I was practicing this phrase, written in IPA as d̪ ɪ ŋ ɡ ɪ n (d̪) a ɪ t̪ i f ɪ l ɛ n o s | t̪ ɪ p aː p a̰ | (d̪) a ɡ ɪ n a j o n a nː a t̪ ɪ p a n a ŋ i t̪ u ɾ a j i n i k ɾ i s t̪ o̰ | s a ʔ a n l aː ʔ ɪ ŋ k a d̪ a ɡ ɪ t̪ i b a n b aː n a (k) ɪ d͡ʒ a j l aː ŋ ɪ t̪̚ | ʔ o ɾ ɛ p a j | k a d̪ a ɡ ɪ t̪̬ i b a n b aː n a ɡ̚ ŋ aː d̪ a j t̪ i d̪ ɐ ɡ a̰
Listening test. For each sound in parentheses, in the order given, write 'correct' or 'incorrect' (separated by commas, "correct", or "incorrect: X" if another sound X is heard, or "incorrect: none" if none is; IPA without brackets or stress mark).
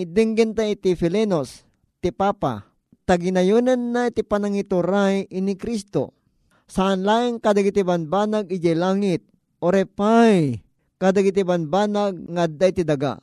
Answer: incorrect: t̪, incorrect: t̪, incorrect: ɡ